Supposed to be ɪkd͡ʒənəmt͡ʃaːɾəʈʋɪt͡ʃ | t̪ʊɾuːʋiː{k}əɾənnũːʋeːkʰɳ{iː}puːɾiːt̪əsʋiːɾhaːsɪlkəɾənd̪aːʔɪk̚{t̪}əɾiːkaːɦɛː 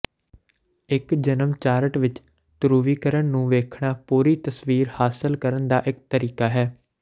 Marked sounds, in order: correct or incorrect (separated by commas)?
correct, incorrect, correct